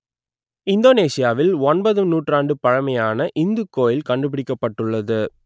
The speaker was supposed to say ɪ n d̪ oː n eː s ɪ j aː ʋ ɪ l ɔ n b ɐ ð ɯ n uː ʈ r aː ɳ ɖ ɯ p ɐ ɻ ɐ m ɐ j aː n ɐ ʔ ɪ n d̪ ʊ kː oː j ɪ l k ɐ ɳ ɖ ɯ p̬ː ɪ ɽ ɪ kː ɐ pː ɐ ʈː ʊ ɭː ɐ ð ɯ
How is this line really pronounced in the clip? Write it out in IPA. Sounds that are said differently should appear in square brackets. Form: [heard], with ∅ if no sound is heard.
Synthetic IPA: ɪ n d̪ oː n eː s ɪ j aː ʋ ɪ l ɔ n b ɐ ð ɯ n uː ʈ r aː ɳ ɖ ɯ p ɐ ɻ ɐ m ɐ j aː n ɐ ʔ ɪ n d̪ [ɯ] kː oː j ɪ l k ɐ ɳ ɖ ɯ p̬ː ɪ ɽ ɪ kː ɐ pː ɐ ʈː [ɯ] ɭː ɐ ð ɯ